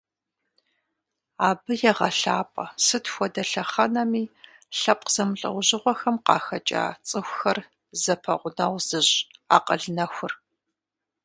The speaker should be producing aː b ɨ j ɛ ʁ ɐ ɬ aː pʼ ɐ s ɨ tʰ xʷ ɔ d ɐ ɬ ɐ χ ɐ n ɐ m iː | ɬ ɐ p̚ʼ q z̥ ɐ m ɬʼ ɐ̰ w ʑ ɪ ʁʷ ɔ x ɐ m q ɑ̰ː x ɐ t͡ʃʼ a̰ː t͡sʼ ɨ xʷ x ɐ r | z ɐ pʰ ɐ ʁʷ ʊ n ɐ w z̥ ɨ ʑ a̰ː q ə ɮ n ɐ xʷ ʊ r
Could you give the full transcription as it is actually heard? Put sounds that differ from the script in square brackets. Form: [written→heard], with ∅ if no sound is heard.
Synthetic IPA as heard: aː b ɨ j ɛ ʁ ɐ ɬ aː pʼ ɐ s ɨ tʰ xʷ ɔ d ɐ ɬ ɐ χ ɐ n ɐ m iː | ɬ ɐ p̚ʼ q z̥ ɐ m ɬʼ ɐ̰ w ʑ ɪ ʁʷ ɔ x ɐ m q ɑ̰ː x ɐ t͡ʃʼ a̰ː t͡sʼ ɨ xʷ x ɐ r | z ɐ pʰ ɐ ʁʷ ʊ n ɐ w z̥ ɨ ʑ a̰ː q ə ɮ n ɐ xʷ ʊ r